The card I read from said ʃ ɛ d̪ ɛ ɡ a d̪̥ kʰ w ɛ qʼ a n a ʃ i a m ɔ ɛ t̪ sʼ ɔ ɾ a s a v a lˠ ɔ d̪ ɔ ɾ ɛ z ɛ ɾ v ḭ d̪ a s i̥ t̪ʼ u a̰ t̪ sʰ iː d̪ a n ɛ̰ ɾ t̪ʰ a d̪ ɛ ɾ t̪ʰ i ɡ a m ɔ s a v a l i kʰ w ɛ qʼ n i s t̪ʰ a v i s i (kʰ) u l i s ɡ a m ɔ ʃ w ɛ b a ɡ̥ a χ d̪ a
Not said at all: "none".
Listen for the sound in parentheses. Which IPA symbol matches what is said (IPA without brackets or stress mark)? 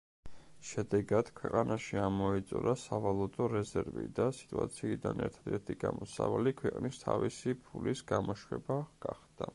pʰ